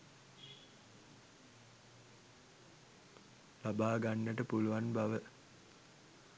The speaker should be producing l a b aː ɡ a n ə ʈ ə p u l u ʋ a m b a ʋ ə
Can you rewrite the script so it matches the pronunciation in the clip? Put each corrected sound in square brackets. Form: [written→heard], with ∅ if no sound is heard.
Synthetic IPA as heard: l a b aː ɡ a [n→nː] ə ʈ ə p u l u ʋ a [m→n] b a ʋ ə